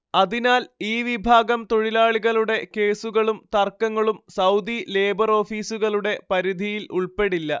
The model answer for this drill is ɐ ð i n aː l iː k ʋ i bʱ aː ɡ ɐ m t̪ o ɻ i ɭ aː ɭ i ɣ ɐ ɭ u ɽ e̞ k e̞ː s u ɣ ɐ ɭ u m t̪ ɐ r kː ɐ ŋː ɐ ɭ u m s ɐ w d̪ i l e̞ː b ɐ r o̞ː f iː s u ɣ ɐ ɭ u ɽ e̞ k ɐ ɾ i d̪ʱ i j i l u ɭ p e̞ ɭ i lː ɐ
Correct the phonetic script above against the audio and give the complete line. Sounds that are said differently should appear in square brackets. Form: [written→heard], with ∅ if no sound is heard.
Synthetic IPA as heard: ɐ ð i n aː l iː [k→∅] ʋ i bʱ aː ɡ ɐ m t̪ o ɻ i [ɭ→l] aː ɭ i ɣ ɐ ɭ u ɽ e̞ k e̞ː s u ɣ ɐ ɭ u m t̪ ɐ r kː ɐ ŋː ɐ ɭ u m s ɐ w d̪ i l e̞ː b ɐ r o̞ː f iː s u ɣ ɐ ɭ u ɽ e̞ [k→p] ɐ ɾ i d̪ʱ i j i l u ɭ p e̞ [ɭ→ɽ] i lː ɐ